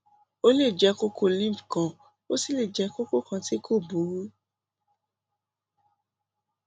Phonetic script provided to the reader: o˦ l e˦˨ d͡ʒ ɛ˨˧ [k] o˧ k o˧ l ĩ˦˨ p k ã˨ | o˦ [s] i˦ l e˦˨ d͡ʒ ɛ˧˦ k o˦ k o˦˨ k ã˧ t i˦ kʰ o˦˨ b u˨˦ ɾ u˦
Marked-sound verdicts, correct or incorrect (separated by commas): correct, correct